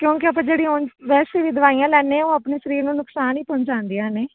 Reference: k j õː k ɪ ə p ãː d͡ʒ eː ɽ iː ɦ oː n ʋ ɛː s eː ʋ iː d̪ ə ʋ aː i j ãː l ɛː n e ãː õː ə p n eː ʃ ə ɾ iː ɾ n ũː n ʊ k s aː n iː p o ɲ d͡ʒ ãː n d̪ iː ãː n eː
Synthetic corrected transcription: k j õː k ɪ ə p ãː d͡ʒ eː ɽ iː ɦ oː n ʋ ɛː s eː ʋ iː d̪ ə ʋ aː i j ãː l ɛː n e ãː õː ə p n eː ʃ ə ɾ iː ɾ n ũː n ʊ k s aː n iː p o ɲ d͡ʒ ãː n d̪ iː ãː n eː